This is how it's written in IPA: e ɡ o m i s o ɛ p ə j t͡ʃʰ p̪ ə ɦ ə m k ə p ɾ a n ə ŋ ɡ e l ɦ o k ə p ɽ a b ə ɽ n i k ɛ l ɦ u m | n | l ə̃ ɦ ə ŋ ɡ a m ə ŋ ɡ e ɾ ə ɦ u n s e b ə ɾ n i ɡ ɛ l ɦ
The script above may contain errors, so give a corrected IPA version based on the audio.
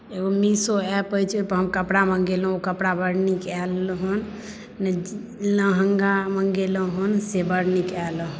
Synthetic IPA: e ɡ o m i s o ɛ p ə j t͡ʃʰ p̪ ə ɦ ə m k ə p ɽ a m ə ŋ ɡ e l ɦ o k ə p ɽ a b ə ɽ n i k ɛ l ɦ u n | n | l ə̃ ɦ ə ŋ ɡ a m ə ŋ ɡ e l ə ɦ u n s e b ə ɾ n i k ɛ l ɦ